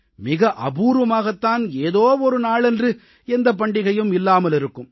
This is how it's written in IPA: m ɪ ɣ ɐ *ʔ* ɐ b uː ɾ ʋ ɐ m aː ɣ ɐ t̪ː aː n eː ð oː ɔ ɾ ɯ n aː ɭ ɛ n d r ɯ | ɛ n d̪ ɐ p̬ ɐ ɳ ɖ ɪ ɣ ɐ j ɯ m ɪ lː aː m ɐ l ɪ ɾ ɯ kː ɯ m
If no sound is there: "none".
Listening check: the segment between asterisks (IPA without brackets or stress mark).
ʔ